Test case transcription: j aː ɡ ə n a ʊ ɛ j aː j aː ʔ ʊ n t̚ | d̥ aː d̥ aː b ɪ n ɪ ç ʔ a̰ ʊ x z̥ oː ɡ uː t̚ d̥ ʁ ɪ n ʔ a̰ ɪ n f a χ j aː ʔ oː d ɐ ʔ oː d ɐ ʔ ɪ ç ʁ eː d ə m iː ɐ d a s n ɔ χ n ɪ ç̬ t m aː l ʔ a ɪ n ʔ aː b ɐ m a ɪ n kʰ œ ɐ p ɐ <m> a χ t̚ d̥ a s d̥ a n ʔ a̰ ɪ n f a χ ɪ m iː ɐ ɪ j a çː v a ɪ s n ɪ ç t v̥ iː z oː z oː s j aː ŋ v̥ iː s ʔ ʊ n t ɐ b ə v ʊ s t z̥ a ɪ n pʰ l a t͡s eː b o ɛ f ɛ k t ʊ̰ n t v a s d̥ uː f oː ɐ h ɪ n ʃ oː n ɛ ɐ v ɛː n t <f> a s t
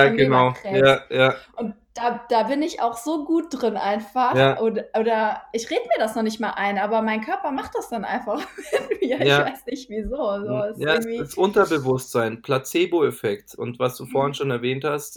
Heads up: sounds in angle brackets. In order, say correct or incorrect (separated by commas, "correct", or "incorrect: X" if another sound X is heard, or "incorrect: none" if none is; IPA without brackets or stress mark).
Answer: correct, incorrect: h